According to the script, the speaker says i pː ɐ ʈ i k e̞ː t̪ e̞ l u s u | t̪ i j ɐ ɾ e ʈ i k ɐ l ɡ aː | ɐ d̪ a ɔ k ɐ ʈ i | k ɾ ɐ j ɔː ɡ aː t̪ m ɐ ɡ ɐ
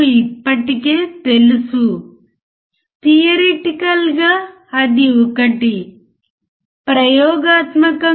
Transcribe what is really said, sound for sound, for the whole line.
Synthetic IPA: i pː ɐ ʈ i k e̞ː t̪ e̞ l u s u | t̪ i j ɐ ɾ e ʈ i k ɐ l ɡ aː | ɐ d̪ i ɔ k ɐ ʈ i | p ɾ ɐ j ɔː ɡ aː t̪ m ɐ k ɐ